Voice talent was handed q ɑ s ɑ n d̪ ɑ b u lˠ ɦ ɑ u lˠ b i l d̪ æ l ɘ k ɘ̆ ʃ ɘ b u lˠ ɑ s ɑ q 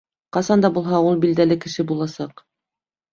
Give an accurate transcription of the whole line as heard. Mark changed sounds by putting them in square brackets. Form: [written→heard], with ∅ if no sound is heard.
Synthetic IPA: q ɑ s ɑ n d̪ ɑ b u lˠ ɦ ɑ u lˠ b i l d̪ æ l ɘ k ɘ̆ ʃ ɘ b u lˠ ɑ s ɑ q

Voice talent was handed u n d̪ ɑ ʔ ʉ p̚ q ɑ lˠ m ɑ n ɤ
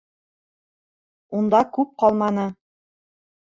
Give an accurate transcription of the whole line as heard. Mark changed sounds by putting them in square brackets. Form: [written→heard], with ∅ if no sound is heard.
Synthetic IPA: u n d̪ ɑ [ʔ→k] ʉ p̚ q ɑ lˠ m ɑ n ɤ

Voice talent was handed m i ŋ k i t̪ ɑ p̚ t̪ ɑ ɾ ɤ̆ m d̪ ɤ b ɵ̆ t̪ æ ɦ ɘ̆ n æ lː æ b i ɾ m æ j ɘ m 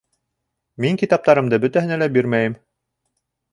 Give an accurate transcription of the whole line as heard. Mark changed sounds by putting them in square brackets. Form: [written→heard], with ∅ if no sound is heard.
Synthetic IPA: m i ŋ k i t̪ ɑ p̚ t̪ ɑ ɾ ɤ̆ m d̪ ɤ b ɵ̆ t̪ æ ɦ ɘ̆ n æ [lː→l] æ b i ɾ m æ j ɘ m

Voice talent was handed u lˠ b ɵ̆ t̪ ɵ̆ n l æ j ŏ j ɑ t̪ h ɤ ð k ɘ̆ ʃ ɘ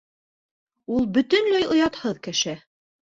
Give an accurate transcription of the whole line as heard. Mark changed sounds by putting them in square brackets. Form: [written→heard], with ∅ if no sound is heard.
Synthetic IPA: u lˠ b ɵ̆ t̪ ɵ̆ n l æ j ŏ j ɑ t̪ h ɤ ð k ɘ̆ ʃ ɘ

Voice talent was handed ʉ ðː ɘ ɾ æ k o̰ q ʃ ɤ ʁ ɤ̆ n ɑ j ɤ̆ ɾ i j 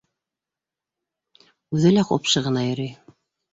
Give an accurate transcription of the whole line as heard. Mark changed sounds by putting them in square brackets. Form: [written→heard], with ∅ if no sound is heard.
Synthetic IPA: ʉ [ðː→ð] ɘ [ɾ→l] æ [k→q] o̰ [q→p] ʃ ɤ ʁ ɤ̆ n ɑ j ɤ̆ ɾ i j

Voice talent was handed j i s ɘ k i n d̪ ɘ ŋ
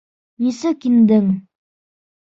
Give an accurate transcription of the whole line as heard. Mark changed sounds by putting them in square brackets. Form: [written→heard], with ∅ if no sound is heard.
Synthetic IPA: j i s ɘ k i n d̪ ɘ ŋ

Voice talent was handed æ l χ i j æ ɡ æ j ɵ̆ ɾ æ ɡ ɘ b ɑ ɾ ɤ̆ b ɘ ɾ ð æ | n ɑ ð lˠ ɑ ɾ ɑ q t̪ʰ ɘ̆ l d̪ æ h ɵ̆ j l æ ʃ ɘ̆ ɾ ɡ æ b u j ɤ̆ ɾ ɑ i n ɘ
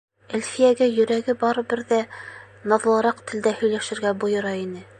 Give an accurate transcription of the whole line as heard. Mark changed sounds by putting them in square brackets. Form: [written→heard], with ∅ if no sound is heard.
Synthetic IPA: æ l [χ→f] i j æ ɡ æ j ɵ̆ ɾ æ ɡ ɘ b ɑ ɾ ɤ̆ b ɘ ɾ ð æ | n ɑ ð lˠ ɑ ɾ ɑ q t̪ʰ ɘ̆ l d̪ æ h ɵ̆ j l æ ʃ ɘ̆ ɾ ɡ æ b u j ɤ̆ ɾ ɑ i n ɘ

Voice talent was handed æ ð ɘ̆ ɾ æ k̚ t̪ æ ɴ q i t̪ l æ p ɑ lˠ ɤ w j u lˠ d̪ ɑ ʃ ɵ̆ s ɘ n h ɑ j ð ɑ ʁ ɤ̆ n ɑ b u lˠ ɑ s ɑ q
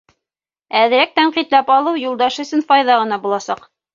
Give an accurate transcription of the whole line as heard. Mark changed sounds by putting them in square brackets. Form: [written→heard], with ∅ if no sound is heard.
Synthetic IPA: æ ð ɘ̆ ɾ æ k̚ t̪ æ ɴ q i t̪ l æ p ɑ lˠ ɤ w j u lˠ d̪ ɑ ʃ ɵ̆ s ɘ n [h→f] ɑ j ð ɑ ʁ ɤ̆ n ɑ b u lˠ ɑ s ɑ q

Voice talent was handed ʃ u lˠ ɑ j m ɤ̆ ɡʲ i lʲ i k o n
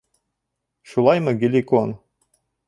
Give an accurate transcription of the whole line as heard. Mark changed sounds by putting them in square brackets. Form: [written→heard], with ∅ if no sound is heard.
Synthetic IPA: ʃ u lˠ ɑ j m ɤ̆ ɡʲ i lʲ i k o n

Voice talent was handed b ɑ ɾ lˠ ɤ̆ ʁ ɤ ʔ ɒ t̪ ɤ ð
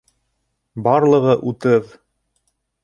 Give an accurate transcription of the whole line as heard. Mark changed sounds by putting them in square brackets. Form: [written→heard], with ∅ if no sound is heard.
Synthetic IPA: b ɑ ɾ lˠ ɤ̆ ʁ ɤ ʔ [ɒ→u] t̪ ɤ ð

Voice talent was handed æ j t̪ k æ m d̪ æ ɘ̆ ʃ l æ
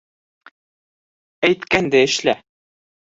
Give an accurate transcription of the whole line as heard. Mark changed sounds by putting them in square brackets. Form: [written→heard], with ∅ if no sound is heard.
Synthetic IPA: æ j t̪ k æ [m→n] d̪ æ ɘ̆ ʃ l æ

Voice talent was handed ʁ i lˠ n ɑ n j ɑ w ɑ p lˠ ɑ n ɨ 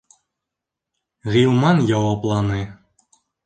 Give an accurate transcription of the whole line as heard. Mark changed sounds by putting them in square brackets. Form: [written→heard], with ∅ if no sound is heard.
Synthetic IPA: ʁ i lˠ [n→m] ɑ n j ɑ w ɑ p lˠ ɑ n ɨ

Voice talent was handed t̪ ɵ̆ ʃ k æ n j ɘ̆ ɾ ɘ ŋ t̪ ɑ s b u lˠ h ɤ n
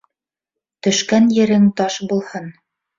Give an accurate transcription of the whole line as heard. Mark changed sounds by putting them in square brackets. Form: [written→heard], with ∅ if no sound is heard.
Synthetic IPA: t̪ ɵ̆ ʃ k æ n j ɘ̆ ɾ ɘ ŋ t̪ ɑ [s→ʃ] b u lˠ h ɤ n

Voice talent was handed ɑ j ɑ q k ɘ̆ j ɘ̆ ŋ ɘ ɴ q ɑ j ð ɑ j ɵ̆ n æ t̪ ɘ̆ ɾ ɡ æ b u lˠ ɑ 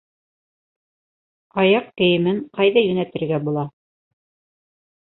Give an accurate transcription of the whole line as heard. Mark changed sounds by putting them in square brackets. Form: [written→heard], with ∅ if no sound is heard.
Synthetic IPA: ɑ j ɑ q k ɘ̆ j ɘ̆ [ŋ→m] ɘ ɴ q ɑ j ð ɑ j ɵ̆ n æ t̪ ɘ̆ ɾ ɡ æ b u lˠ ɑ

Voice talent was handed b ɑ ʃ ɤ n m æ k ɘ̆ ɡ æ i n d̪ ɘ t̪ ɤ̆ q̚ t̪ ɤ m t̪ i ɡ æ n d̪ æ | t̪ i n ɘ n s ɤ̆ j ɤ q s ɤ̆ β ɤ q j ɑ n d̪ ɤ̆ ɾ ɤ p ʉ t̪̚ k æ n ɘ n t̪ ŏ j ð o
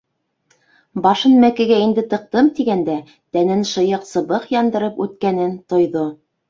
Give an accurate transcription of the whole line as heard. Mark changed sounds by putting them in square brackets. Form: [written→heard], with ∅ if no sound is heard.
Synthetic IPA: b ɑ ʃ ɤ n m æ k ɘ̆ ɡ æ i n d̪ ɘ t̪ ɤ̆ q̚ t̪ ɤ m t̪ i ɡ æ n d̪ æ | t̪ [i→æ] n ɘ n [s→ʃ] ɤ̆ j ɤ q s ɤ̆ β ɤ q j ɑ n d̪ ɤ̆ ɾ ɤ p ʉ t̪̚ k æ n ɘ n t̪ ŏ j ð o

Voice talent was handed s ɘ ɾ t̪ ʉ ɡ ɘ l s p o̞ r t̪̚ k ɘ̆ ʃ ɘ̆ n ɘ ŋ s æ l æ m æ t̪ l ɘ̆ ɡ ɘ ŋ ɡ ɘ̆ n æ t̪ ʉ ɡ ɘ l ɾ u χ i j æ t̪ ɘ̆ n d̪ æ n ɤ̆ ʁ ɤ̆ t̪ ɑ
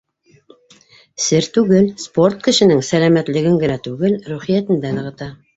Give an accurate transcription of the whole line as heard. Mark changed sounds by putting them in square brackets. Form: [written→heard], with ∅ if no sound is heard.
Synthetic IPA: s ɘ ɾ t̪ ʉ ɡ ɘ l s p o̞ r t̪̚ k ɘ̆ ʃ ɘ̆ n ɘ ŋ s æ l æ m æ t̪ l ɘ̆ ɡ ɘ ŋ ɡ ɘ̆ n æ t̪ ʉ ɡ ɘ l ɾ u χ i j æ t̪ ɘ̆ n d̪ æ n ɤ̆ ʁ ɤ̆ t̪ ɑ

